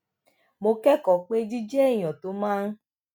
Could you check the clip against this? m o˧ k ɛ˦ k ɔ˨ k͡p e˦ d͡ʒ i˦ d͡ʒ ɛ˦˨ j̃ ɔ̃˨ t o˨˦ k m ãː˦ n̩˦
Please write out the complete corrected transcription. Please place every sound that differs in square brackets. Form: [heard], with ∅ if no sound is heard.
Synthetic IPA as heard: m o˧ k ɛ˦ k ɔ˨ k͡p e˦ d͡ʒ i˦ d͡ʒ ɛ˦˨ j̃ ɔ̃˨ t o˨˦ [∅] m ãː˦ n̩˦